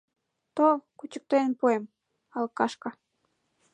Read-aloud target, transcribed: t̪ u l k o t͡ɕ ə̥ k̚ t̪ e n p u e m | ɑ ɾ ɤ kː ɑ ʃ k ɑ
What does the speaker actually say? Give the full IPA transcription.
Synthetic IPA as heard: t̪ o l k u t͡ɕ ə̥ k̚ t̪ e n p u e m | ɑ l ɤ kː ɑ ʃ k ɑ